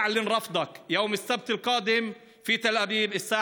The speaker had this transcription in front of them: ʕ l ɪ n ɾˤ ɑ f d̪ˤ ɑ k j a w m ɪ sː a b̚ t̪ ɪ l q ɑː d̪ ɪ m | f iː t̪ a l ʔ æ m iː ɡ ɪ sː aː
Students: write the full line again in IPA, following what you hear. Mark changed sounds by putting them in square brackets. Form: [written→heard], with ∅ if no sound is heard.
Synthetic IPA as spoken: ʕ l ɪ n ɾˤ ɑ f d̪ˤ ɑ k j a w m ɪ sː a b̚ t̪ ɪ l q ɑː d̪ ɪ m | f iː t̪ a l ʔ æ [m→b] iː [ɡ→b] ɪ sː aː